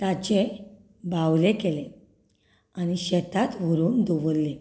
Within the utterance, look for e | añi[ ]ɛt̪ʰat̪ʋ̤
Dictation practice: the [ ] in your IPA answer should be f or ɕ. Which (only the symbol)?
ɕ